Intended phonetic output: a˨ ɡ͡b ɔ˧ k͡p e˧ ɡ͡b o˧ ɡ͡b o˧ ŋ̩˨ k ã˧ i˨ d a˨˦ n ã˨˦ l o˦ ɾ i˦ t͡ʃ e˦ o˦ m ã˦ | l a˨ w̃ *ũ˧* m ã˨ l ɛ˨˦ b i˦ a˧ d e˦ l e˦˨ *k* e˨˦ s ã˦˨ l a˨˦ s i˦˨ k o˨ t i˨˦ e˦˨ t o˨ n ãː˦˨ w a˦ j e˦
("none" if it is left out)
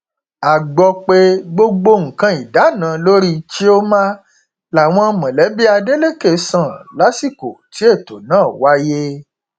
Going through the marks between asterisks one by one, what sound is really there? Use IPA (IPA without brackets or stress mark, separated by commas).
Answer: ɔ̃˧, k